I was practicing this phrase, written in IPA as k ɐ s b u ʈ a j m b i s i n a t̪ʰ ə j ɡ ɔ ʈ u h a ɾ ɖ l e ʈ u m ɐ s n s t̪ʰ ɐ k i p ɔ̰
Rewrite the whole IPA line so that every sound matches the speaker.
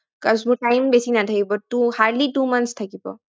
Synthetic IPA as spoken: k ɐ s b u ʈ a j m b e s i n a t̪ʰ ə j b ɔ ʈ u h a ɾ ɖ l i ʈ u m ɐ n s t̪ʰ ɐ k i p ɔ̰